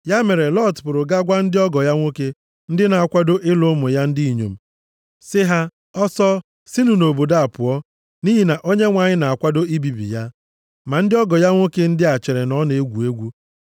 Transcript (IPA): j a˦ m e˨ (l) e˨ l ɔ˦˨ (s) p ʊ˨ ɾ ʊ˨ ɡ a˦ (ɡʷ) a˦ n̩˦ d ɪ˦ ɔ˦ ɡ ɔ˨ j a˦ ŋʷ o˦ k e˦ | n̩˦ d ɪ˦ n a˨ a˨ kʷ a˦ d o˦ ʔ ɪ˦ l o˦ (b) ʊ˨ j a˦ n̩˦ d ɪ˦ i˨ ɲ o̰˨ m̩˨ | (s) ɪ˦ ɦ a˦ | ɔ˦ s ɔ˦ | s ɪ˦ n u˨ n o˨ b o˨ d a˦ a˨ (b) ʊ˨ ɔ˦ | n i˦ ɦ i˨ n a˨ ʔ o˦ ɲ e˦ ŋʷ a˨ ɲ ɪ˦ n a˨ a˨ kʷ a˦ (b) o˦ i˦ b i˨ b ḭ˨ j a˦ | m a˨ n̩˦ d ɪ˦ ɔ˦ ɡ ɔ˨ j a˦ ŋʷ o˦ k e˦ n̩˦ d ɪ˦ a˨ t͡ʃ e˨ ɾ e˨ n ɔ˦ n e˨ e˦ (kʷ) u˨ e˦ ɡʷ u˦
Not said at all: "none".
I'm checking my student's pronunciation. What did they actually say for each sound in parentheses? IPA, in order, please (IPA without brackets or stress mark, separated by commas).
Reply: ɾ, t, ɡʷ, m, s, p, d, ɡʷ